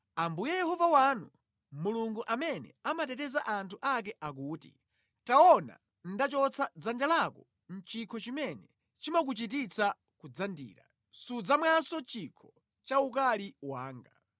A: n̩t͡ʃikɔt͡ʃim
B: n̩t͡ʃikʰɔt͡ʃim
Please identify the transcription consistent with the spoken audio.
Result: B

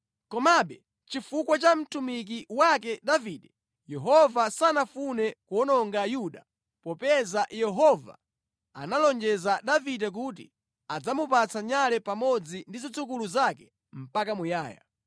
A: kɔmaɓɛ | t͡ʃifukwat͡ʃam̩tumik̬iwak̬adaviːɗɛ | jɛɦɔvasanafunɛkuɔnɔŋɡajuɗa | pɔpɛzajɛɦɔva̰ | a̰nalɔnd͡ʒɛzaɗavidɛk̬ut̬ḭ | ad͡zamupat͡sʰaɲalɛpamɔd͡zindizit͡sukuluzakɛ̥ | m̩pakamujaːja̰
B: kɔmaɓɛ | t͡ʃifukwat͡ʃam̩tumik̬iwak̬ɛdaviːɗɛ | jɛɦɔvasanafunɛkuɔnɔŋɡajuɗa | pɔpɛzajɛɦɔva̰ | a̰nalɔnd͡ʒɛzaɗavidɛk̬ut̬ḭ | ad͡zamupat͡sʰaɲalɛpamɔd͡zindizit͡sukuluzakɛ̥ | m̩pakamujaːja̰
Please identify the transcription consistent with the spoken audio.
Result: B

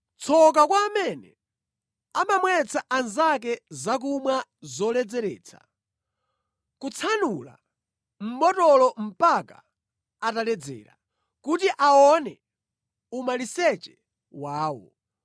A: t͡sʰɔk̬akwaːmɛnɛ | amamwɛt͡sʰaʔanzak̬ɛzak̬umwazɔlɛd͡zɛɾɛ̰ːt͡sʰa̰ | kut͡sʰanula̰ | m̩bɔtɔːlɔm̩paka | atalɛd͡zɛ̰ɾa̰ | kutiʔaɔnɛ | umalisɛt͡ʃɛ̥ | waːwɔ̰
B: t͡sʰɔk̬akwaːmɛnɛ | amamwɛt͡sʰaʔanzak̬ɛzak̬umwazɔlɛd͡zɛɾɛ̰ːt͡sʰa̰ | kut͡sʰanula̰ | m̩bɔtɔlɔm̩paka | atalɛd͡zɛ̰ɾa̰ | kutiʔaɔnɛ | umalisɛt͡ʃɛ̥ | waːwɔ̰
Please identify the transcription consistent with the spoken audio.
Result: B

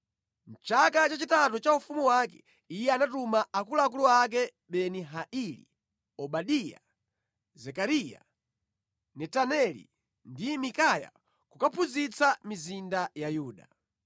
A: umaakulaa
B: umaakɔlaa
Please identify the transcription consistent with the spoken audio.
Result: A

